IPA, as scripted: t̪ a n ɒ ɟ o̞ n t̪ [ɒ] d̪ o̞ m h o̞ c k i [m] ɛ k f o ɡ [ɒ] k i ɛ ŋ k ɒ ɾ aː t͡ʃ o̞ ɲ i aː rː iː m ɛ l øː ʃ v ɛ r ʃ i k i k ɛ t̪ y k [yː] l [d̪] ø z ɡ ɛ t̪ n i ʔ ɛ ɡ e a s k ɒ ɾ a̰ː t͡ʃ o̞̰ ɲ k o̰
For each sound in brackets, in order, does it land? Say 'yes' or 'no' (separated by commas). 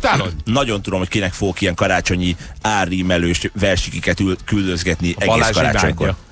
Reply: no, no, no, no, yes